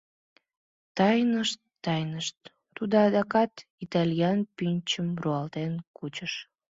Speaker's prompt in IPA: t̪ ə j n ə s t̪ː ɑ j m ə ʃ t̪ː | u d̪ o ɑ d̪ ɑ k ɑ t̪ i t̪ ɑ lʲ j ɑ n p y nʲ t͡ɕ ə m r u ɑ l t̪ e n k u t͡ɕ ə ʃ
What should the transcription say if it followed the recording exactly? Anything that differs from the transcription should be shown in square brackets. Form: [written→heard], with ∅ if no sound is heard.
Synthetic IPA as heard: t̪ [ə→ɑ] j n ə [s→ʃ] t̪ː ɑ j [m→n] ə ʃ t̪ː | u d̪ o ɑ d̪ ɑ k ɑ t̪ i t̪ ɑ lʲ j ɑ n p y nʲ t͡ɕ ə m r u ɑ l t̪ e n k u t͡ɕ ə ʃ

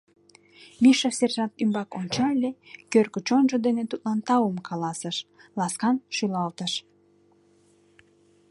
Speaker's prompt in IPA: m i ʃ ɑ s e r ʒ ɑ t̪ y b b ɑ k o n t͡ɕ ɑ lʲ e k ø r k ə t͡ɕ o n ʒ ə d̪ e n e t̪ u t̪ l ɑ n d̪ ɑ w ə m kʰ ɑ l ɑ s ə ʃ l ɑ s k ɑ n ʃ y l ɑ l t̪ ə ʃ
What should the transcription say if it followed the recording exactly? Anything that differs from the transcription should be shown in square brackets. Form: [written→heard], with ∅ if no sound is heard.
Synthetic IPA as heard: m i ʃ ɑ s e r ʒ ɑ t̪ y [b→m] b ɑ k o n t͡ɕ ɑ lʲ e k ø r k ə t͡ɕ o n ʒ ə d̪ e n e t̪ u t̪ l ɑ n [d̪→t̪] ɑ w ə m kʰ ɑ l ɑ s ə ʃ l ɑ s k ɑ n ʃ y l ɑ l t̪ ə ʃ

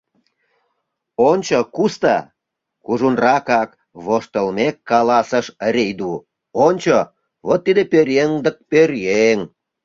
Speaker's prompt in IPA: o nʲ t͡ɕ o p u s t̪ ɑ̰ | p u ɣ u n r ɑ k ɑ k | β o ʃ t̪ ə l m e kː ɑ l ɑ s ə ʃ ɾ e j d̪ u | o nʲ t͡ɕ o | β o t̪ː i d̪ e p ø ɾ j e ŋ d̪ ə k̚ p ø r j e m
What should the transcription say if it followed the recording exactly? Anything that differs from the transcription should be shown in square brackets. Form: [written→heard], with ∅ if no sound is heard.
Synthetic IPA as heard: o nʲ t͡ɕ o [p→k] u s t̪ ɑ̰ | [p→k] u [ɣ→ʒ] u n r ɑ k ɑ k | β o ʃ t̪ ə l m e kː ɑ l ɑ s ə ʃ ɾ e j d̪ u | o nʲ t͡ɕ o | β o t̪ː i d̪ e p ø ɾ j e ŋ d̪ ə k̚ p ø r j e [m→ŋ]

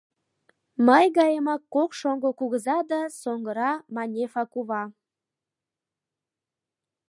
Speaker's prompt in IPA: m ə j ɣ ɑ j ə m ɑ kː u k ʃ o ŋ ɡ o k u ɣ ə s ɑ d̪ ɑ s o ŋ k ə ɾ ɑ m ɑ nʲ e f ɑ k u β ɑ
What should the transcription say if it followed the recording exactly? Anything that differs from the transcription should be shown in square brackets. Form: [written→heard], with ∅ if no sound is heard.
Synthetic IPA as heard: m ə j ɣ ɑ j ə m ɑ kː [u→o] k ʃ o ŋ ɡ o k u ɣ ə [s→z] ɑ d̪ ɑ s o ŋ [k→ɡ] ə ɾ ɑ m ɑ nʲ e f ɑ k u β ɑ

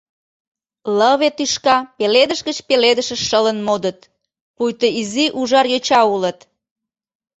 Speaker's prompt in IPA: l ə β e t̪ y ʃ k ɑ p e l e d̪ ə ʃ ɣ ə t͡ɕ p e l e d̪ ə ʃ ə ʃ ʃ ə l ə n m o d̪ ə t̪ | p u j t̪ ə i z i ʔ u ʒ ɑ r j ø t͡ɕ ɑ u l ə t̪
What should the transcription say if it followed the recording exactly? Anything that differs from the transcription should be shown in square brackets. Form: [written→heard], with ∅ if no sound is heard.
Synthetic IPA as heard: l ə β e t̪ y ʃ k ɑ p e l e d̪ ə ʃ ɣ ə t͡ɕ p e l e d̪ ə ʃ ə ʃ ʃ ə l ə n m o d̪ ə t̪ | p u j t̪ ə i z i ʔ u ʒ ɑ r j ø t͡ɕ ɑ u l ə t̪

